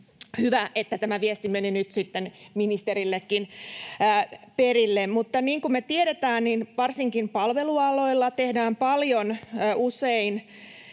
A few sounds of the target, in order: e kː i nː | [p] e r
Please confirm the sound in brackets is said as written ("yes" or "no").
yes